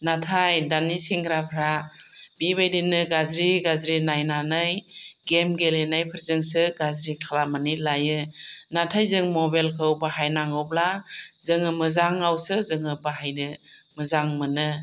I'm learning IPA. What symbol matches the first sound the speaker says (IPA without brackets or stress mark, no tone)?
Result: n